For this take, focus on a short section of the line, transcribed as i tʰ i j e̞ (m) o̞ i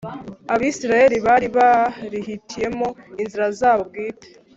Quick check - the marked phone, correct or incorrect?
correct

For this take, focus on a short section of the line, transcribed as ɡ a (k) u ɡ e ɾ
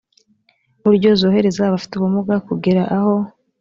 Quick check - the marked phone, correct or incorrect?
correct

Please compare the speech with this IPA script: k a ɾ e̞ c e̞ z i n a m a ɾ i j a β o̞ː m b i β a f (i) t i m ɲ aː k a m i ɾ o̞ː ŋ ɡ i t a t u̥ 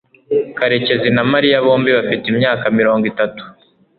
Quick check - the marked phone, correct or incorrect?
correct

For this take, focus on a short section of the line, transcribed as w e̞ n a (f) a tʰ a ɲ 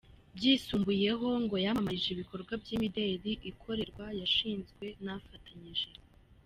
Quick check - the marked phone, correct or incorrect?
correct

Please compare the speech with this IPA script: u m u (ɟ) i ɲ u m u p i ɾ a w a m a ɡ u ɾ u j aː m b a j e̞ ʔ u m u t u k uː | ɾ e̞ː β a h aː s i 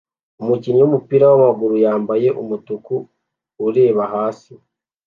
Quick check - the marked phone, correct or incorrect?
incorrect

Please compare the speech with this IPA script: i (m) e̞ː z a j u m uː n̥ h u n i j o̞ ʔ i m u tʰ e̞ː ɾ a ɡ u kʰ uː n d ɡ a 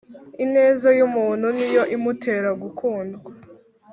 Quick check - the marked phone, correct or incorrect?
incorrect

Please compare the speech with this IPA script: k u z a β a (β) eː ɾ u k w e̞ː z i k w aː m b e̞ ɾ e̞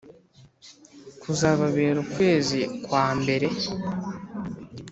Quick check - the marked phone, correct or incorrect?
correct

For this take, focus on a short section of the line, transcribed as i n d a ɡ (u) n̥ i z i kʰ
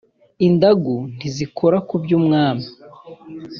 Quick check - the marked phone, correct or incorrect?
correct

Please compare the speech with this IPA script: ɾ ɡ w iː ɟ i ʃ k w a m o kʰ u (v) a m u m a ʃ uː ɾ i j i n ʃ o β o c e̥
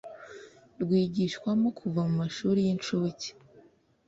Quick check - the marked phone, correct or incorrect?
correct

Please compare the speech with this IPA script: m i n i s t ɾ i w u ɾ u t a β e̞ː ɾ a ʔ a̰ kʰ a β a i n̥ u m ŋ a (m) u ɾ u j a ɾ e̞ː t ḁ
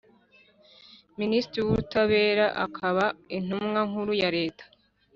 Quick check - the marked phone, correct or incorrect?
incorrect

